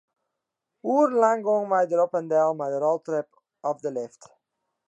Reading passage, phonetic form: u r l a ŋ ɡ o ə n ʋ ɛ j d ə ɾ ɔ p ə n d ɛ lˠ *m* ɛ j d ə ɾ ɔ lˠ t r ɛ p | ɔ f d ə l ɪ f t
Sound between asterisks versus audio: correct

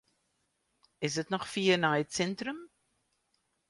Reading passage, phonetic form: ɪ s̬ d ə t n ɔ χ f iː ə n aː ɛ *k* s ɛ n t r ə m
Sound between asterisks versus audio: incorrect: t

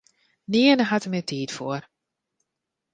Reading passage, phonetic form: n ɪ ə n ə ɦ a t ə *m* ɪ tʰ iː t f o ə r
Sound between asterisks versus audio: correct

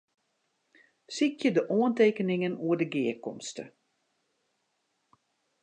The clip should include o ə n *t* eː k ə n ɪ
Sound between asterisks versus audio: correct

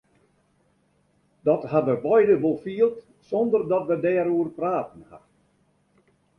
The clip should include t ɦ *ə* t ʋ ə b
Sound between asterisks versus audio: incorrect: a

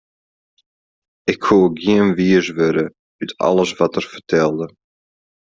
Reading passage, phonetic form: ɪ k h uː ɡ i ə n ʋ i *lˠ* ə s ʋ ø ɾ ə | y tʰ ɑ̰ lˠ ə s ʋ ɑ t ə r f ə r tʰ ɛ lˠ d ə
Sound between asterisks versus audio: incorrect: none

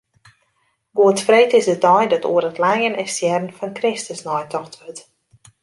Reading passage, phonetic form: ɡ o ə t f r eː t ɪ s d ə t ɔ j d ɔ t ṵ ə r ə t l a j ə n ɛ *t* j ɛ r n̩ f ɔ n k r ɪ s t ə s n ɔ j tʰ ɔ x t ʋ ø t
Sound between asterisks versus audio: incorrect: s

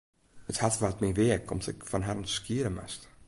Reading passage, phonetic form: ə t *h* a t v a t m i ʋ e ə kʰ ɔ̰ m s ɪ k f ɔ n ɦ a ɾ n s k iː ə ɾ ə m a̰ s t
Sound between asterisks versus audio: correct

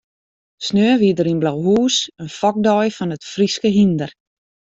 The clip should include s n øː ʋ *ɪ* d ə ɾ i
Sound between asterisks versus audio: incorrect: i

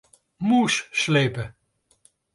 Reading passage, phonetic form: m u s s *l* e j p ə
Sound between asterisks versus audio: correct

